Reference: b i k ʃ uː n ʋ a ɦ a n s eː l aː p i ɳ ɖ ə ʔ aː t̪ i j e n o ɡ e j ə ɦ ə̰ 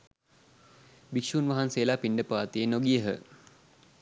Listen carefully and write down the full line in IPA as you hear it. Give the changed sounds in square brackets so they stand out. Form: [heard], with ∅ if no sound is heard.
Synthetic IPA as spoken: b i k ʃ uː n ʋ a ɦ a n s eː l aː p i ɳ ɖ ə [p] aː t̪ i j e n o ɡ [i] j ə ɦ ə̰